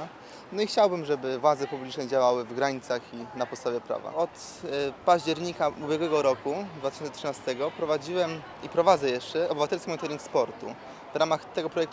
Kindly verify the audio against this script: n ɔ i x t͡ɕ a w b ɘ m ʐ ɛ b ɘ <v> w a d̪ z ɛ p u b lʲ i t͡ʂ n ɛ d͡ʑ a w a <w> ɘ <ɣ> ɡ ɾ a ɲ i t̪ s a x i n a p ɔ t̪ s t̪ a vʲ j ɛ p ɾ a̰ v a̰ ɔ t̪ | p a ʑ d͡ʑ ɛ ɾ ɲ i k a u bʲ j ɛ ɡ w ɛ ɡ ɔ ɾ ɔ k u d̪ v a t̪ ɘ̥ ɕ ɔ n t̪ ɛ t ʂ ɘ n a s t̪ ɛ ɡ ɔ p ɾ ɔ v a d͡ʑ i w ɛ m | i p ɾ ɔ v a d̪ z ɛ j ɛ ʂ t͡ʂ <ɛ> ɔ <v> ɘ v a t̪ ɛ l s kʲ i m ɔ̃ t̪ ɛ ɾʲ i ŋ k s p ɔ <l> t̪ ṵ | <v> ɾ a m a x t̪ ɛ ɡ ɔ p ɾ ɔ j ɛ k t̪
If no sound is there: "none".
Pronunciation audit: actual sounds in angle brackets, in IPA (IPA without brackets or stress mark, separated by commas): v, w, v, ɛ, b, ɾ, v